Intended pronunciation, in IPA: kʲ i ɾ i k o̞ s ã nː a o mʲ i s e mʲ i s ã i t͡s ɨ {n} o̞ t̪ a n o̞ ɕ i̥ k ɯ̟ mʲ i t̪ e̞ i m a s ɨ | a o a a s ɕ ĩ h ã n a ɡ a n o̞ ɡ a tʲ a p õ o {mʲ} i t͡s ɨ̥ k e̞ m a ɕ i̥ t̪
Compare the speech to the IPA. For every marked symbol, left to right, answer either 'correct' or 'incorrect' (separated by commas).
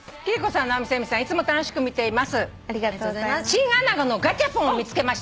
incorrect, correct